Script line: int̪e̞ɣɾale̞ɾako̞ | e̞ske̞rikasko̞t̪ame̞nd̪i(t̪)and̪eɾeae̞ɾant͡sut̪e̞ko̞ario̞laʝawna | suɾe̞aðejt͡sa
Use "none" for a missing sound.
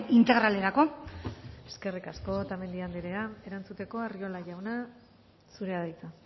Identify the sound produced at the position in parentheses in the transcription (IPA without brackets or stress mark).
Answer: none